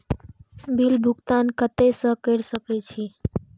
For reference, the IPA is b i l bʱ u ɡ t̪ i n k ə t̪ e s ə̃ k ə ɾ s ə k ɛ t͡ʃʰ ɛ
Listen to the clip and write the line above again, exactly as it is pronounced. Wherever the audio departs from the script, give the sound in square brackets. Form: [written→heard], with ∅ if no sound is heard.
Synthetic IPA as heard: b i l bʱ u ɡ t̪ [i→a] n k ə t̪ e s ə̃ k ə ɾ s ə k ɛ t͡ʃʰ [ɛ→i]